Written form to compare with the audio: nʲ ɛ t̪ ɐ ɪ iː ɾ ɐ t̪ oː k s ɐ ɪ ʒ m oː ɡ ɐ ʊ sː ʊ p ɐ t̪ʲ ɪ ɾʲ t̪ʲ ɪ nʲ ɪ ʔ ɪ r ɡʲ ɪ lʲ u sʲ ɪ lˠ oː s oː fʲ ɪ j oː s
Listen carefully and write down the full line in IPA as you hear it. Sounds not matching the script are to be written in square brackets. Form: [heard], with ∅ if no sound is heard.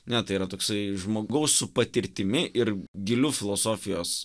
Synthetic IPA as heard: nʲ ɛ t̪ ɐ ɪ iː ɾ ɐ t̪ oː k s ɐ ɪ ʒ m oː ɡ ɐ ʊ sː ʊ p ɐ t̪ʲ ɪ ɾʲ t̪ʲ ɪ [mʲ] ɪ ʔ ɪ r ɡʲ ɪ lʲ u [fʲ] ɪ lˠ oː s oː fʲ ɪ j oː s